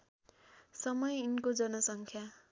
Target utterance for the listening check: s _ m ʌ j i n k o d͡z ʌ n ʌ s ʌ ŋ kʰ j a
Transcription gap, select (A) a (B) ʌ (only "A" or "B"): B